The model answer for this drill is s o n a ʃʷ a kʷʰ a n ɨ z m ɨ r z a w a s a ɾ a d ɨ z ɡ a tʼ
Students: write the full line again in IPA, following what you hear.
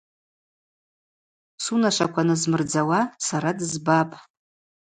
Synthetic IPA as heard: s u n a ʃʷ a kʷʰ a n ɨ z m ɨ r d͡z a w a s a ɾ a d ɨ z b a pʼ